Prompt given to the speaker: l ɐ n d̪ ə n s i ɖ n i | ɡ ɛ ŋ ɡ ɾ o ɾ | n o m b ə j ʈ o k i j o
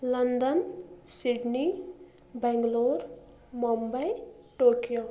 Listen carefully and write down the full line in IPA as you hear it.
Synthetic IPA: l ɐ n d̪ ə n s i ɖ n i | b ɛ ŋ ɡ l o ɾ | m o m b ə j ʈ o k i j o